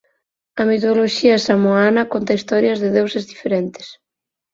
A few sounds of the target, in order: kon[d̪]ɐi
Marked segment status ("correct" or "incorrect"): incorrect